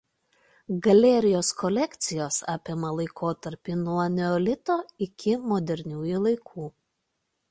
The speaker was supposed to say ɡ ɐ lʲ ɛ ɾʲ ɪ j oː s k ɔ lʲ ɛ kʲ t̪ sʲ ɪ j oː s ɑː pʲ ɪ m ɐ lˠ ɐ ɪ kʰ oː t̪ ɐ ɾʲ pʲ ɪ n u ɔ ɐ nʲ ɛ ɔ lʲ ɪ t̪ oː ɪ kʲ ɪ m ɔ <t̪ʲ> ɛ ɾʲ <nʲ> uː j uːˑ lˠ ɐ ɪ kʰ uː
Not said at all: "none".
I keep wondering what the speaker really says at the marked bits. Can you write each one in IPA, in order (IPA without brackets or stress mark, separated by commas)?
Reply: d̪ʲ, nʲ